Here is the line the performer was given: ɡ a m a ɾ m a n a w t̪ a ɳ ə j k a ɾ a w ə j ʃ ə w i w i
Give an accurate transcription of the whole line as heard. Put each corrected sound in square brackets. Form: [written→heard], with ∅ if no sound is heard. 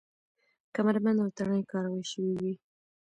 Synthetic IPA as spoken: [ɡ→k] a m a ɾ m a n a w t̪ a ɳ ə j k [a→ɑ] ɾ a w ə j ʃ ə w i w i

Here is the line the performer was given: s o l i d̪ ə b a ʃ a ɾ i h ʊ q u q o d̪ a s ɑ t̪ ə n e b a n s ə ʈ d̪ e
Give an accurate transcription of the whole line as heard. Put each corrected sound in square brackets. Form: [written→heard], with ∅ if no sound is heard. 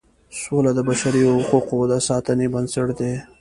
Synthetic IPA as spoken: s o l [i→a] d̪ ə b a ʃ a ɾ i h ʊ q u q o d̪ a s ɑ t̪ ə n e b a n s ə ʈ d̪ e

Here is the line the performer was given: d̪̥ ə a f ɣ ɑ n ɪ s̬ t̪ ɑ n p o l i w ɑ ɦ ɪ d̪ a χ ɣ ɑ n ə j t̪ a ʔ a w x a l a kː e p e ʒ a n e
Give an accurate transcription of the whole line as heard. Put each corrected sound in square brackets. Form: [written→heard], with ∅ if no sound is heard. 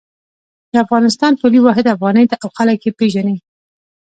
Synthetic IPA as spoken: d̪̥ ə a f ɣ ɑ n ɪ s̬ t̪ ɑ n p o l i w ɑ ɦ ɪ d̪ a [χ→f] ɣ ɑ n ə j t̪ a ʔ a w x a l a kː e p e ʒ a n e

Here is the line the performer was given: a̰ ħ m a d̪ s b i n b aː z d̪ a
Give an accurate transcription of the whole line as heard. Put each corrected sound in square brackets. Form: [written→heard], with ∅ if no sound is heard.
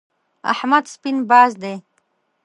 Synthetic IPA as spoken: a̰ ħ m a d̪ s [b→p] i n b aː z d̪ [a→e]

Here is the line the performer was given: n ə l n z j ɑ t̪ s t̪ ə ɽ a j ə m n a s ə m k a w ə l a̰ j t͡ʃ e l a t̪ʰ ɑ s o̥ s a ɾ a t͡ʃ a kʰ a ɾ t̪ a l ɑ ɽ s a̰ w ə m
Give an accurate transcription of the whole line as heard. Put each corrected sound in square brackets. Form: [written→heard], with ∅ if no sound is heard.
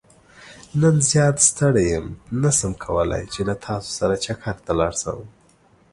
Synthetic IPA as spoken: n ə [l→∅] n z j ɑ t̪ s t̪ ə ɽ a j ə m n a s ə m [k→kʰ] a w ə l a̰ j t͡ʃ e l a t̪ʰ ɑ s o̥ s a ɾ a t͡ʃ a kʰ a ɾ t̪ a l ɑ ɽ s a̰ w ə m

